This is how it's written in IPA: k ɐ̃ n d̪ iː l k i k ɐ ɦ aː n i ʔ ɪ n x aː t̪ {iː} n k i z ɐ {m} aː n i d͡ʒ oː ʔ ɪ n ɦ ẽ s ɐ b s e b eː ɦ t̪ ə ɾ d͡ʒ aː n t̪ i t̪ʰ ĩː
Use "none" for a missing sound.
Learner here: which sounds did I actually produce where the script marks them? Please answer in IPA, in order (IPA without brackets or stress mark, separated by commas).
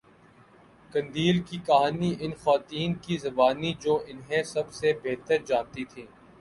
iː, b